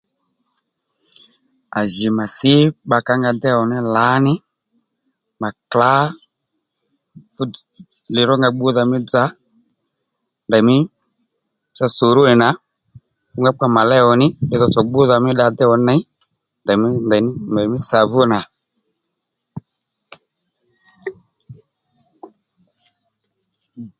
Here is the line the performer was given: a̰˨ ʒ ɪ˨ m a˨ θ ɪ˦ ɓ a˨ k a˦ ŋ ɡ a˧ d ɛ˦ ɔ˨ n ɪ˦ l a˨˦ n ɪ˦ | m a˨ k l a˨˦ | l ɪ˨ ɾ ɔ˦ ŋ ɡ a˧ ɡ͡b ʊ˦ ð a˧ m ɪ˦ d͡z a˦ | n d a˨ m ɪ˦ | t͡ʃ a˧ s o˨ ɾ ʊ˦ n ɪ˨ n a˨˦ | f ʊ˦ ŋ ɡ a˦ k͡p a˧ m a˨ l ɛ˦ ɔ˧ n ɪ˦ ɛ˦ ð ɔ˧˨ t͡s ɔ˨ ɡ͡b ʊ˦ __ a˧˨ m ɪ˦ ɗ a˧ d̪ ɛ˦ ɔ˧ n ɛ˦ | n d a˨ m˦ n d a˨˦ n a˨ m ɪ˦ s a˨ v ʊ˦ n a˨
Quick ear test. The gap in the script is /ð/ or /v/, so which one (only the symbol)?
ð